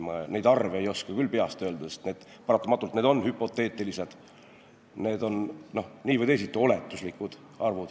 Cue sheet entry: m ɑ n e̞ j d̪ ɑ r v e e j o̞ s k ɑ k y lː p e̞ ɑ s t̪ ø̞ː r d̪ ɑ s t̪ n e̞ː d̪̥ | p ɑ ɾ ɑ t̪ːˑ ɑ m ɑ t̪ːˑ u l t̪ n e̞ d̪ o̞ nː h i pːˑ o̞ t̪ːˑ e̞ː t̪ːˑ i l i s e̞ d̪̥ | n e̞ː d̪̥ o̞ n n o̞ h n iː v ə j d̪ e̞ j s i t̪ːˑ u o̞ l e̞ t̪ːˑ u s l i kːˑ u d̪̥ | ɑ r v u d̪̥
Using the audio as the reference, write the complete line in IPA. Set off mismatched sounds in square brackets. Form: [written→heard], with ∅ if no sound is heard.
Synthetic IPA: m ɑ n e̞ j d̪ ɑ r v e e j o̞ s k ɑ k y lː p e̞ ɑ s t̪ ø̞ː [r→l] d̪ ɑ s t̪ n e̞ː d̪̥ | p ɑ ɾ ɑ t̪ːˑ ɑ m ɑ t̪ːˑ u l t̪ n e̞ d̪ o̞ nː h [i→y] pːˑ o̞ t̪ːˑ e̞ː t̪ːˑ i l i s e̞ d̪̥ | n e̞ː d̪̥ o̞ n n o̞ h n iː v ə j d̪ e̞ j s i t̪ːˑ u o̞ l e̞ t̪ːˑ u s l i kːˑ u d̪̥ | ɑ r v u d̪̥